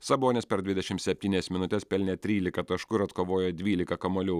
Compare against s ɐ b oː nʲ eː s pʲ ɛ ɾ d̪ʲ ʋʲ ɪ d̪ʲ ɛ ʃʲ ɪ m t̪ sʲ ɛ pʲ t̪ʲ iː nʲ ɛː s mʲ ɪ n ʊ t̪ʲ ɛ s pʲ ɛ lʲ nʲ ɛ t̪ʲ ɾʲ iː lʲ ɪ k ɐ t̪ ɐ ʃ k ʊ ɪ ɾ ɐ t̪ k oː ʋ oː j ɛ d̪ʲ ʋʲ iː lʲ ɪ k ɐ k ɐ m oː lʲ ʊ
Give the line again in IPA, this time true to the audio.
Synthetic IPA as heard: s ɐ b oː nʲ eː s pʲ ɛ ɾ d̪ʲ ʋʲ ɪ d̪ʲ ɛ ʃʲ ɪ m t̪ sʲ ɛ pʲ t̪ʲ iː nʲ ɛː s mʲ ɪ n ʊ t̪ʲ ɛ s pʲ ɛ lʲ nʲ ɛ t̪ʲ ɾʲ iː lʲ ɪ k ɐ t̪ ɐ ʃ k ʊ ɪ ɾ ɐ t̪ k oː ʋ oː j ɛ d̪ʲ ʋʲ iː lʲ ɪ k ɐ k ɐ m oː lʲ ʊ